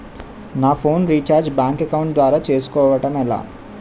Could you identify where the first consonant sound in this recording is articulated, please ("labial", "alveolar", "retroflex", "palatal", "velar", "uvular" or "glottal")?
alveolar